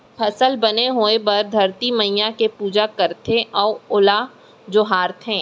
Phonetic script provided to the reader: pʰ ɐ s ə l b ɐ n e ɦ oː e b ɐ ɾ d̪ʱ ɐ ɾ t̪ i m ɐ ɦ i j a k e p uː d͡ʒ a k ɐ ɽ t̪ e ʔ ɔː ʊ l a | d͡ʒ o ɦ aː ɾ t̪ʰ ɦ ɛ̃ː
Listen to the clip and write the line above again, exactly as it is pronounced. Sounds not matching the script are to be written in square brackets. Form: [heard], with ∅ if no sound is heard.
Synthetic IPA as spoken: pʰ ɐ s ə l b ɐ n e ɦ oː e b ɐ ɾ d̪ʱ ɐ ɾ t̪ i m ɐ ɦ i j a k e p uː d͡ʒ a k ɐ [ɾ] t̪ e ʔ ɔː ʊ l a | d͡ʒ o ɦ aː ɾ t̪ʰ ɦ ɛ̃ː